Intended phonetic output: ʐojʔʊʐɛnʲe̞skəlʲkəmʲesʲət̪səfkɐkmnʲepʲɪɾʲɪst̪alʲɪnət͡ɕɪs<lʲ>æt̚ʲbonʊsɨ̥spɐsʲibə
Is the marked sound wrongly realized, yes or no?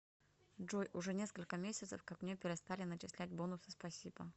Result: no